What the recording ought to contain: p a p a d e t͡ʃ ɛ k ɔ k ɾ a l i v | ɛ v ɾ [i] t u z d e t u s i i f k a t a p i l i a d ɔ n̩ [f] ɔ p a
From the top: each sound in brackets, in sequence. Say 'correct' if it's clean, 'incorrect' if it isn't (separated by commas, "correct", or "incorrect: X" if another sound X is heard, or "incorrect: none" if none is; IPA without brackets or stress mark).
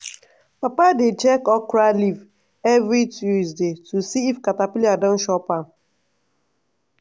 correct, incorrect: ʃ